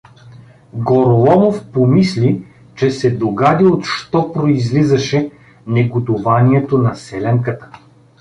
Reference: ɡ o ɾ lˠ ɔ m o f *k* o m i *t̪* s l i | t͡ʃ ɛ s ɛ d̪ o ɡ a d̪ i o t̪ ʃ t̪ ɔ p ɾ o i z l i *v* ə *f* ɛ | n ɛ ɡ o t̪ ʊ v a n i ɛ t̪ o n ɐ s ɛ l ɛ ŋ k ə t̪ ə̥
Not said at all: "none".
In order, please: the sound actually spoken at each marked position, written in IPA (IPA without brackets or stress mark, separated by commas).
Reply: p, none, z, ʃ